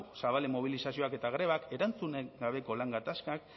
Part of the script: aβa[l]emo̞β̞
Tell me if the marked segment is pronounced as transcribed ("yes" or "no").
yes